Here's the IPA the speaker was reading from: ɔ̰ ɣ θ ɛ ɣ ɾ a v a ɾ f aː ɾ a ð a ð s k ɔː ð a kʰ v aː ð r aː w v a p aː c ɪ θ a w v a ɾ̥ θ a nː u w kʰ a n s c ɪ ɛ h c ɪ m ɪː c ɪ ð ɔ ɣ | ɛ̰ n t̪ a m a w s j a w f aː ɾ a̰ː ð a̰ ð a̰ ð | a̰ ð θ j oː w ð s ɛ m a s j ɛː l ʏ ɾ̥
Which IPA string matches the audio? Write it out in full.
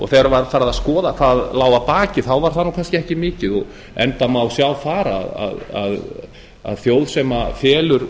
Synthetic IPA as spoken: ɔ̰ ɣ θ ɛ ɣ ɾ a v a ɾ f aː ɾ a ð a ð s k ɔː ð a kʰ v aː ð l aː w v a p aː c ɪ θ a w v a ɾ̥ θ a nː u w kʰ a n s c ɪ ɛ h c ɪ m ɪː c ɪ ð ɔ ɣ | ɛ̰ n t̪ a m a w s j a w f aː ɾ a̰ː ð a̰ ð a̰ ð | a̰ ð θ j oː w ð s ɛ m a f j ɛː l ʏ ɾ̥